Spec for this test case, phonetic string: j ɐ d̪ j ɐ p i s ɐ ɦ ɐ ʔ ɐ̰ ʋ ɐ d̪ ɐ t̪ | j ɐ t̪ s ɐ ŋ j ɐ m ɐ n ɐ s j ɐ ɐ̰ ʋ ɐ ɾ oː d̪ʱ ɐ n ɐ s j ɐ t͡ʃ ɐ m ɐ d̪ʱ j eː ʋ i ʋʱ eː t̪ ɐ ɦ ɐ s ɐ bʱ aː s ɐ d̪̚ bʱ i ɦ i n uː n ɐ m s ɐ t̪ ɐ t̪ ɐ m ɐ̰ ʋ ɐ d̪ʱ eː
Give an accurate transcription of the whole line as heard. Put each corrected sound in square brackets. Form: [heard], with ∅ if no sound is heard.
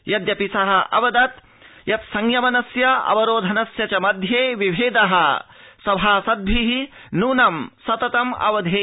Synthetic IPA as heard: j ɐ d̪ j ɐ p i s ɐ ɦ ɐ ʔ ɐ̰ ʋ ɐ d̪ ɐ t̪ | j ɐ t̪ s ɐ ŋ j ɐ m ɐ n ɐ s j ɐ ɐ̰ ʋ ɐ ɾ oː d̪ʱ ɐ n ɐ s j ɐ t͡ʃ ɐ m ɐ d̪ʱ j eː ʋ i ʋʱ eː [d̪] ɐ ɦ ɐ s ɐ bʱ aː s ɐ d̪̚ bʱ i ɦ i n uː n ɐ m s ɐ t̪ ɐ t̪ ɐ m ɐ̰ ʋ ɐ d̪ʱ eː